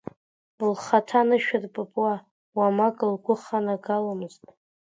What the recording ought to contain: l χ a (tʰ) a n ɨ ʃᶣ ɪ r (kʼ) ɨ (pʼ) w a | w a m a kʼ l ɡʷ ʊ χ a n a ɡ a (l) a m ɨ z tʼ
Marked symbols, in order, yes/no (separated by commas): yes, no, yes, yes